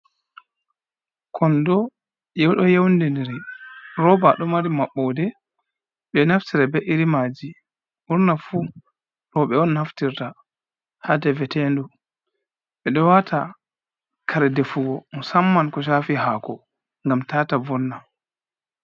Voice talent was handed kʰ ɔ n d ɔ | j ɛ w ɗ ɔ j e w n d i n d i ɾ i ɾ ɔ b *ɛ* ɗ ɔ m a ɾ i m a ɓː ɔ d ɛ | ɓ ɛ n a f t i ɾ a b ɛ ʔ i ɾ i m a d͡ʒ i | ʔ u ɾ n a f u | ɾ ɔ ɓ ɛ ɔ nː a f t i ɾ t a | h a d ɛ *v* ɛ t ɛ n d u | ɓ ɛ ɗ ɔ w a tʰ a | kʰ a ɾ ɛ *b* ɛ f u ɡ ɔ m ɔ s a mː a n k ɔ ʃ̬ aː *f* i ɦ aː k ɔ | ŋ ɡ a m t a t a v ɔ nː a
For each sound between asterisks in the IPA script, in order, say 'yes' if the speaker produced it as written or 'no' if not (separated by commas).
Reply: no, yes, no, yes